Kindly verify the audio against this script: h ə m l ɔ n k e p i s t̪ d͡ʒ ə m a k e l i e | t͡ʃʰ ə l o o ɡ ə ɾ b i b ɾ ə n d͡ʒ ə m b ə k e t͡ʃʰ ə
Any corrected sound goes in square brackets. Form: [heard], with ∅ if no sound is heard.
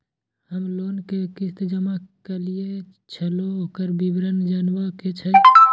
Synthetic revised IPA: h ə m l [o] n k e [k] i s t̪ d͡ʒ ə m a k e l i e | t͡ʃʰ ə l o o [k] ə ɾ b i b ɾ ə n d͡ʒ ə [n] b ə k e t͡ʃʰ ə